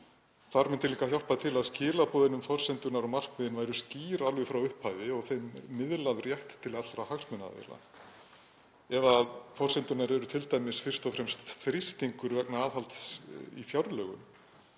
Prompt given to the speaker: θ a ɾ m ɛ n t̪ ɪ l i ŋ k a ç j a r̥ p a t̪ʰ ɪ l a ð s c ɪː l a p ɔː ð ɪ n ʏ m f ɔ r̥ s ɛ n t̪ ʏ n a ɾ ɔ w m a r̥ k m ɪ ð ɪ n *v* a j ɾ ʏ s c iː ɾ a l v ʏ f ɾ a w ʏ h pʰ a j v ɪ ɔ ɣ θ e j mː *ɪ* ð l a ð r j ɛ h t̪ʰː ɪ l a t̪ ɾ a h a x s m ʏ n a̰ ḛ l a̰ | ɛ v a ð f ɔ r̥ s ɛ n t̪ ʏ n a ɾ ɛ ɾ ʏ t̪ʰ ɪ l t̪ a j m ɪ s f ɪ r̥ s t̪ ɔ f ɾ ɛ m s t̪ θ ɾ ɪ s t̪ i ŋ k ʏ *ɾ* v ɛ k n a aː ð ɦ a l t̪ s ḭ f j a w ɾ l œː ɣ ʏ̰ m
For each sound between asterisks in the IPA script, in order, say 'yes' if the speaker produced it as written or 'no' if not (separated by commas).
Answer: yes, yes, yes